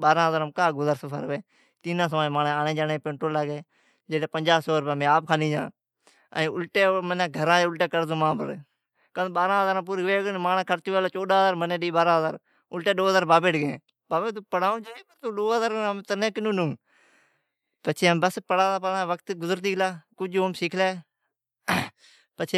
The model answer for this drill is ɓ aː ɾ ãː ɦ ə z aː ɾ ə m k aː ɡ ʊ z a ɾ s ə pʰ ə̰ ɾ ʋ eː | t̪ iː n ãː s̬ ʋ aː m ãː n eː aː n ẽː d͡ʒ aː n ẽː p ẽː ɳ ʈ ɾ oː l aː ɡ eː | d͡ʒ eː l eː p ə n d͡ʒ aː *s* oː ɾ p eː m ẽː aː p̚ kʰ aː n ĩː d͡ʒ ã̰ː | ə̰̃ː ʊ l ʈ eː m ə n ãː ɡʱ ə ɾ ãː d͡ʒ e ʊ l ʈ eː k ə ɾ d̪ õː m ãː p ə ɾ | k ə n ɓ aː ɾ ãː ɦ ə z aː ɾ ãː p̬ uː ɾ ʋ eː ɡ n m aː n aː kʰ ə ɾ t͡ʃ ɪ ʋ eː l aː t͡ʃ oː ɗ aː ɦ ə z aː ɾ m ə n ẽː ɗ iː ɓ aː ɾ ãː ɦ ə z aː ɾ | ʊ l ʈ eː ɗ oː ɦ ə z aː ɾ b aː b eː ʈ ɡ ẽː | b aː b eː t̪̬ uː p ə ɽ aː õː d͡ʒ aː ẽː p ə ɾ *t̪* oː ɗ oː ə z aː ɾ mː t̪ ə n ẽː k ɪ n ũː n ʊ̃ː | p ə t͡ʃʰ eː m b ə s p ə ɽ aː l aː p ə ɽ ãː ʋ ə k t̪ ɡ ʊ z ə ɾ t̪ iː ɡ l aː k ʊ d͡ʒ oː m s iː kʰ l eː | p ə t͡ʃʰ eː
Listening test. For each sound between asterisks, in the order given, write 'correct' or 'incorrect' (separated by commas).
correct, correct